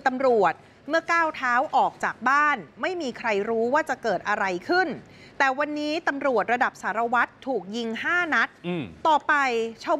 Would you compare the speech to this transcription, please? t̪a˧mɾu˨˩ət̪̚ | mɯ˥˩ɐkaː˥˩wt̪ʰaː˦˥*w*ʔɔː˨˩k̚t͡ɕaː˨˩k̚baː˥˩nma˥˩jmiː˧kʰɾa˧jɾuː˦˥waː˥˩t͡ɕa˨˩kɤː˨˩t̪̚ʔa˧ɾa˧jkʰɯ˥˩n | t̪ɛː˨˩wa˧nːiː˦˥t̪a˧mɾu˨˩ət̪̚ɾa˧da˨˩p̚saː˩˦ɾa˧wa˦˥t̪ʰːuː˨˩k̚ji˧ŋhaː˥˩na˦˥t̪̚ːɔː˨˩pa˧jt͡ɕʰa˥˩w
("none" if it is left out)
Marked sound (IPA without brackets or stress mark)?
w